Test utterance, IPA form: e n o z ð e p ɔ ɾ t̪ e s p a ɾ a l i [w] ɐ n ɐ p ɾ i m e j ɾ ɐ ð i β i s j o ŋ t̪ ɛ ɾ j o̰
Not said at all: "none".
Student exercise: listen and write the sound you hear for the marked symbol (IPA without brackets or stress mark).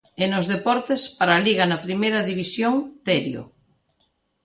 ɣ